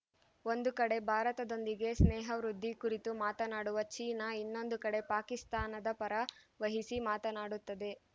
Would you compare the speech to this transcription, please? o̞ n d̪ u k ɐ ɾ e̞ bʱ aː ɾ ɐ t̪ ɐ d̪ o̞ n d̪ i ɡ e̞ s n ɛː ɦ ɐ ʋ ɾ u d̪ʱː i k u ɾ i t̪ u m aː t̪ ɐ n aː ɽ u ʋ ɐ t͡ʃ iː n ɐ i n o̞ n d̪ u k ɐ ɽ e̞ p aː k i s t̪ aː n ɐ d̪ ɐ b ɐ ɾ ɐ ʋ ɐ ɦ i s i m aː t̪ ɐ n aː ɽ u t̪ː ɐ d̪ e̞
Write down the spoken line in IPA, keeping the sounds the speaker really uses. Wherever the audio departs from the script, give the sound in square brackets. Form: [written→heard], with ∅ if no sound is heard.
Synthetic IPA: o̞ n d̪ u k ɐ [ɾ→ɽ] e̞ bʱ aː ɾ ɐ t̪ ɐ d̪ o̞ n d̪ i ɡ e̞ s n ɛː ɦ ɐ ʋ ɾ u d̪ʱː i k u ɾ i t̪ u m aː t̪ ɐ n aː ɽ u ʋ ɐ t͡ʃ iː n ɐ i [n→nː] o̞ n d̪ u k ɐ ɽ e̞ p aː k i s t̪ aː n ɐ d̪ ɐ [b→p] ɐ ɾ ɐ ʋ ɐ ɦ i s i m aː t̪ ɐ n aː ɽ u t̪ː ɐ d̪ e̞